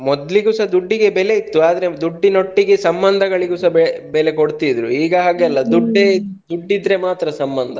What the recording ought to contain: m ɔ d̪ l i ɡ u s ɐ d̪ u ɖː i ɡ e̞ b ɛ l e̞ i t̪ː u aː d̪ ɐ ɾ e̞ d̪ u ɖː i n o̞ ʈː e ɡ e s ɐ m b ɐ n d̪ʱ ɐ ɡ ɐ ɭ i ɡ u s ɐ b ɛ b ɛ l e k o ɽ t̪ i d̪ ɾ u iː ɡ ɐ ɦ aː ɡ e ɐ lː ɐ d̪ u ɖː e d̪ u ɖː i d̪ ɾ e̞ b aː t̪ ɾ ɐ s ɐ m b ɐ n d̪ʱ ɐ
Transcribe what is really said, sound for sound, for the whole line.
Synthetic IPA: m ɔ d̪ l i ɡ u s ɐ d̪ u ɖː i ɡ e̞ b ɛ l e̞ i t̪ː u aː d̪ ɐ ɾ e̞ d̪ u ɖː i n o̞ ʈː i ɡ e s ɐ m b ɐ n d̪ʱ ɐ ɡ ɐ ɭ i ɡ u s ɐ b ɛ b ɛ l e k o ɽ t̪ i d̪ ɾ u iː ɡ ɐ ɦ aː ɡ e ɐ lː ɐ d̪ u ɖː e d̪ u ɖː i d̪ ɾ e̞ m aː t̪ ɾ ɐ s ɐ m b ɐ n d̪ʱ ɐ